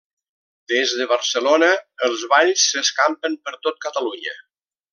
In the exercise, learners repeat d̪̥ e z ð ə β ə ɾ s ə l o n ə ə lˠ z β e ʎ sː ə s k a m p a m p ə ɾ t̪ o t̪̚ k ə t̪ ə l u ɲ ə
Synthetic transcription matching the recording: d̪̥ e z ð ə β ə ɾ s ə l o n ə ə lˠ z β a ʎ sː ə s k a m p ə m p ə ɾ t̪ o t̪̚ k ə t̪ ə l u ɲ ə

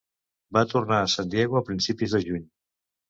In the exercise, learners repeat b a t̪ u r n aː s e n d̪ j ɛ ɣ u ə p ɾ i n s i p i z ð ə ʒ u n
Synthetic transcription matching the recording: b a t̪ u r n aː s a n d̪ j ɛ ɣ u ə p ɾ i n s i p i z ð ə ʒ u ɲ

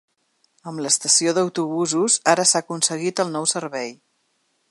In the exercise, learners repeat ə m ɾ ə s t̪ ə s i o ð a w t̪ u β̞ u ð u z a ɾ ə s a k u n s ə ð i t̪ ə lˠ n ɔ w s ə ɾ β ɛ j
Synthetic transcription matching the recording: ə m l ə s t̪ ə s i o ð ə w t̪ u β̞ u z u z a ɾ ə s a k u n s ə ɣ i t̪ ə lˠ n ɔ w s ə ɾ β ɛ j

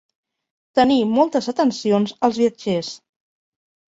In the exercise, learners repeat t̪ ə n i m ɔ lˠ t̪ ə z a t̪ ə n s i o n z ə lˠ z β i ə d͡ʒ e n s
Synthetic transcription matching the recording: t̪ ə n i m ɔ lˠ t̪ ə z ə t̪ ə n s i o n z ə lˠ z β i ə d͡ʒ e s

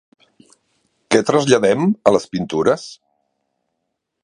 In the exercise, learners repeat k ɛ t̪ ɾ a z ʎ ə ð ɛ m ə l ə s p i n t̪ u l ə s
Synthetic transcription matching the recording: k ɛ t̪ ɾ ə z ʎ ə ð ɛ m ə l ə s p i n t̪ u ɾ ə s

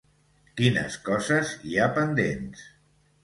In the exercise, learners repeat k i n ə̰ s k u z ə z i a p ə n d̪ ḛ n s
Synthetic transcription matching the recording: k i n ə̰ s k ɔ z ə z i a p ə n d̪ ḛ n s

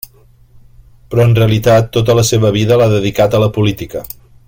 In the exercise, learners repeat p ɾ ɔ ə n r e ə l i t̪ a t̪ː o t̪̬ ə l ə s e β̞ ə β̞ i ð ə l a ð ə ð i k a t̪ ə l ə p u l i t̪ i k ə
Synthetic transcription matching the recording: p ɾ ɔ ə n r e ə l i t̪ a t̪ː o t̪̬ ə l ə s e β̞ ə β̞ i ð ə l a ð ə ð i k a t̪ ə l ə p u l i t̪ i k ə

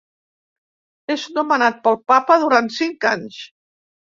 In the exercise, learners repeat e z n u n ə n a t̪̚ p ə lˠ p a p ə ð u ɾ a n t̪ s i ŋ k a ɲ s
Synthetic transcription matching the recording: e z n u m ə n a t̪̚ p ə lˠ p a p ə ð u ɾ a n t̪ s i ŋ k a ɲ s

